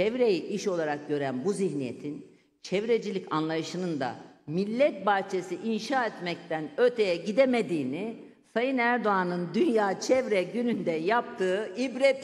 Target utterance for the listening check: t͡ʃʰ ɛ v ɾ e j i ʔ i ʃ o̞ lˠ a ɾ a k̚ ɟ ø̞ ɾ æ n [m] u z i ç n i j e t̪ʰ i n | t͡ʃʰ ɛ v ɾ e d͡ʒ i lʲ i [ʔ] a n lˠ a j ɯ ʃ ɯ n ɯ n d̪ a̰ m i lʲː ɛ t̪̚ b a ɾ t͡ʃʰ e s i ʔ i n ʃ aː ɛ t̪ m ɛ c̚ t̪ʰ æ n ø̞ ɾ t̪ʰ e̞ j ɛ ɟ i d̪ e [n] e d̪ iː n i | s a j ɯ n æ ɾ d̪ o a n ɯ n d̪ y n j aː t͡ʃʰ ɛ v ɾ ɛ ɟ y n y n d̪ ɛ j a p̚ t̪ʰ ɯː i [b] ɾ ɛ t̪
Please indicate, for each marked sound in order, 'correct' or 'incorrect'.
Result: incorrect, incorrect, incorrect, correct

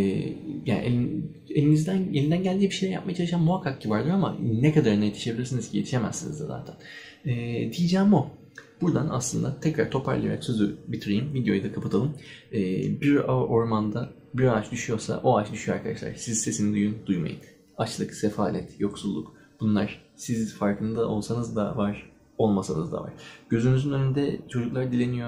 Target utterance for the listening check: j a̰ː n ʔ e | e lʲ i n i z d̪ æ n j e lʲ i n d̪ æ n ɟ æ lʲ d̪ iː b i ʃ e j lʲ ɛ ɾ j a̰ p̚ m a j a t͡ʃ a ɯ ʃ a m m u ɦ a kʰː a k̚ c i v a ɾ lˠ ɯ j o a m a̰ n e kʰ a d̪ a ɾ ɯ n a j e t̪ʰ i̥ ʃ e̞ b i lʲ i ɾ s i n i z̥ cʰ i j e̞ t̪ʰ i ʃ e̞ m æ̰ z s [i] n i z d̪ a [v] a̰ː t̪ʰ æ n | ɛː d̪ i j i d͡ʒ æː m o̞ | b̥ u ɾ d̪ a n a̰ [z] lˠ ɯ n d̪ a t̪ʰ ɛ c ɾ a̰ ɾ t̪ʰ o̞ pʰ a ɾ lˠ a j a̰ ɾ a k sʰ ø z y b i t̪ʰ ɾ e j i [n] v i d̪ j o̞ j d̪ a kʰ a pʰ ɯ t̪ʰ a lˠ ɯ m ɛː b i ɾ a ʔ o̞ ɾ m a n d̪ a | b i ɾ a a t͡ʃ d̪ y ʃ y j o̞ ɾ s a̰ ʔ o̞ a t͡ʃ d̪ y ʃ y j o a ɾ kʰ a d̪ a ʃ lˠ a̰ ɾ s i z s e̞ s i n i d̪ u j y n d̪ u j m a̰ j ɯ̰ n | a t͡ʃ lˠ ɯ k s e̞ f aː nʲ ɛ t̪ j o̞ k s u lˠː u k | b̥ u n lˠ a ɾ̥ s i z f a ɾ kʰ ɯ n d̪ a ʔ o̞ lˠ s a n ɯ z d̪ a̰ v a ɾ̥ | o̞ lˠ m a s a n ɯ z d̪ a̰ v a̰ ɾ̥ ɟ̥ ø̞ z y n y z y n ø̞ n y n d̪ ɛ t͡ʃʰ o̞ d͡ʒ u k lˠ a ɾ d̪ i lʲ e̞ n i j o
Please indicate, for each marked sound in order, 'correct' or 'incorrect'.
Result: correct, incorrect, incorrect, incorrect

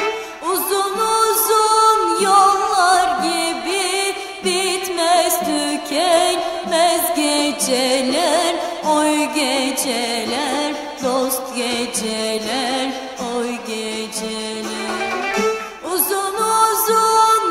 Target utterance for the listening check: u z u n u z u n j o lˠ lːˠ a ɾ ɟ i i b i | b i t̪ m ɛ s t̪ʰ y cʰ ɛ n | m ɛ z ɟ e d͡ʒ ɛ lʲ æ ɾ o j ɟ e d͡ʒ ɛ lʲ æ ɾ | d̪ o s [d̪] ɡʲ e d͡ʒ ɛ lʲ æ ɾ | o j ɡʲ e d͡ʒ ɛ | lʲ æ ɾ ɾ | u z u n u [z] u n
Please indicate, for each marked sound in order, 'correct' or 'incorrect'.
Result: incorrect, correct

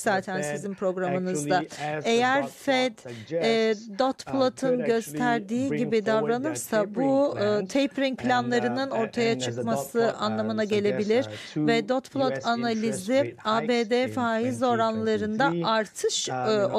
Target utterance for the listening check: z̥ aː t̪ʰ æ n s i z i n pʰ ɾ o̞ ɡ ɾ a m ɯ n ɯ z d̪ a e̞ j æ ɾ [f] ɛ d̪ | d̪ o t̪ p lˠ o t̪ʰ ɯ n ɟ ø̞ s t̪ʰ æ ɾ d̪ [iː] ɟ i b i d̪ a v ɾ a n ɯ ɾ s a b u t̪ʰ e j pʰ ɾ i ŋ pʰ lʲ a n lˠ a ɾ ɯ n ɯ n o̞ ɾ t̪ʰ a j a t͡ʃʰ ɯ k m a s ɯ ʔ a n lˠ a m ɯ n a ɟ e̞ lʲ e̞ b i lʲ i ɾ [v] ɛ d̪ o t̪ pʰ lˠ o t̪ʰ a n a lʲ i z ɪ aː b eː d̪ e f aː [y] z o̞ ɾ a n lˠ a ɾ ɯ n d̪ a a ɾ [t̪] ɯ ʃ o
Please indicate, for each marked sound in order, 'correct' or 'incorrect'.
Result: correct, correct, correct, incorrect, incorrect

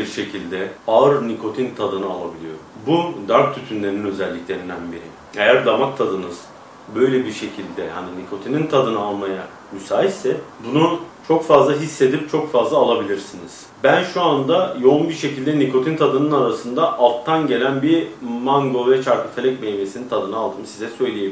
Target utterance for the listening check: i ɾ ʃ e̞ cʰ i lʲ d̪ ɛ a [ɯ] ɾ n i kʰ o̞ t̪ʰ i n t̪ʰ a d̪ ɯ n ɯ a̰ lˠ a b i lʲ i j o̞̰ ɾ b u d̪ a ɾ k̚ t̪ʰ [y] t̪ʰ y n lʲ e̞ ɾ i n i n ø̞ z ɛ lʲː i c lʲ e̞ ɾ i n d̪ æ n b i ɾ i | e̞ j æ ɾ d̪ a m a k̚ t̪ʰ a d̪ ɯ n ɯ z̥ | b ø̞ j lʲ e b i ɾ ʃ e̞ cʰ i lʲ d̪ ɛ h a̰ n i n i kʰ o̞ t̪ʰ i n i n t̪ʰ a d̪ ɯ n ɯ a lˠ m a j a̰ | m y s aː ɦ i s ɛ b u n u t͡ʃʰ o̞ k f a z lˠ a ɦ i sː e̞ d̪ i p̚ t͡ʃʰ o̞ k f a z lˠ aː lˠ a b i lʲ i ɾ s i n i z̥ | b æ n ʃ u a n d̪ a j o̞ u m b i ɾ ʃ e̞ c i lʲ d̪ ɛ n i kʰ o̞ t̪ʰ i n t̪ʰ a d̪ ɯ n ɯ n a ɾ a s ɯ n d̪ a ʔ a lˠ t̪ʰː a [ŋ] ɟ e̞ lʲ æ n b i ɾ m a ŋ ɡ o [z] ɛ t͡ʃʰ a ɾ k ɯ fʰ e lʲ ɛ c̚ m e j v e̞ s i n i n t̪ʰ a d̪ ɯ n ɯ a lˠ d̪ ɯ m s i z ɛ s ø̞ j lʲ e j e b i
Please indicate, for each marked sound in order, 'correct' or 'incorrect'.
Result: correct, correct, incorrect, incorrect

